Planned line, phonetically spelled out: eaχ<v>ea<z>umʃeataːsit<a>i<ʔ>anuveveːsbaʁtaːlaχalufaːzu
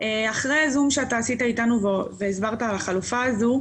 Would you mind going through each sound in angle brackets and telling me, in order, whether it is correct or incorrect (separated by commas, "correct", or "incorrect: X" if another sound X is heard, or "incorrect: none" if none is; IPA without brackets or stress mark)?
incorrect: ʁ, correct, correct, incorrect: t